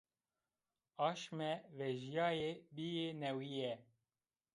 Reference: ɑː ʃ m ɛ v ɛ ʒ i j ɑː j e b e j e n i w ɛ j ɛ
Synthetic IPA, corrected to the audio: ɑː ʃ m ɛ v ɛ ʒ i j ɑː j e b i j e n ɛ w i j ɛ